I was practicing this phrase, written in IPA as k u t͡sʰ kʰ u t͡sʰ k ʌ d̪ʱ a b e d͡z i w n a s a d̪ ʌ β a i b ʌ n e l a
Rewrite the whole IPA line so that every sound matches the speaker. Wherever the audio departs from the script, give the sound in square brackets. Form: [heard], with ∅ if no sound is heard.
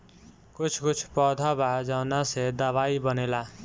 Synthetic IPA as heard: k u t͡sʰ [k] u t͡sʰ [p] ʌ d̪ʱ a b [a] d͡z [a] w n a s [e] d̪ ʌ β a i b ʌ n e l a